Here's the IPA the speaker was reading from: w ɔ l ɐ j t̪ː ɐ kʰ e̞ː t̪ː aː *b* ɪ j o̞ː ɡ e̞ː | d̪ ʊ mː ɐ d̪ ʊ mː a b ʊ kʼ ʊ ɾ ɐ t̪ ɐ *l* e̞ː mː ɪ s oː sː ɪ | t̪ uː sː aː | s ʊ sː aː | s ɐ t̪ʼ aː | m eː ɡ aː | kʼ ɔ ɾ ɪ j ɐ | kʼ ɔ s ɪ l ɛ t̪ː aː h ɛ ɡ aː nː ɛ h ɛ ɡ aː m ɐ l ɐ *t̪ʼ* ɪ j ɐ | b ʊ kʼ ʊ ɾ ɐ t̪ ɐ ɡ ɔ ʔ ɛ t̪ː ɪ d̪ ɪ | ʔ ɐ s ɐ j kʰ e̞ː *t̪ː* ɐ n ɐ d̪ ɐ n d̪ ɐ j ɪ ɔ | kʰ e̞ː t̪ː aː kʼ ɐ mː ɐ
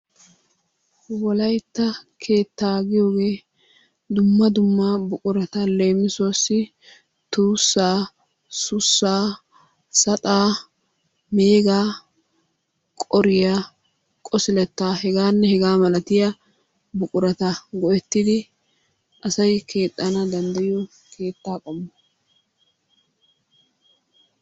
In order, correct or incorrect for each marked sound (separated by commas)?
incorrect, correct, incorrect, incorrect